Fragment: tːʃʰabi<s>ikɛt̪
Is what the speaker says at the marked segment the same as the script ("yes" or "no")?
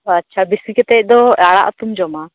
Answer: yes